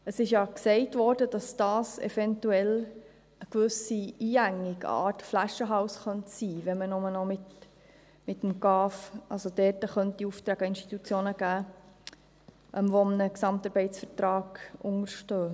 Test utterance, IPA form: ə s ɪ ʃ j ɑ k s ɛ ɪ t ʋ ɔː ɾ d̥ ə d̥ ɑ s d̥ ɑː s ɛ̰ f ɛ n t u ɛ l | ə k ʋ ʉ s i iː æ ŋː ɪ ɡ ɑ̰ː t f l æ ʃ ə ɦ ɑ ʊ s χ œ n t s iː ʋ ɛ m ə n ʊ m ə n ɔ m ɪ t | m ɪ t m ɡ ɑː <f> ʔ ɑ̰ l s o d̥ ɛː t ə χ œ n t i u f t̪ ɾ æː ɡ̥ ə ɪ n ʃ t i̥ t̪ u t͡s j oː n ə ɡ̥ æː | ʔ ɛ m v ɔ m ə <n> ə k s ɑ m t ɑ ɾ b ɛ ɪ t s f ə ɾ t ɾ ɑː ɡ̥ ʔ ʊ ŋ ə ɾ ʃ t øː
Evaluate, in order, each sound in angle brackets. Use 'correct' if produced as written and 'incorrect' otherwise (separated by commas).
correct, correct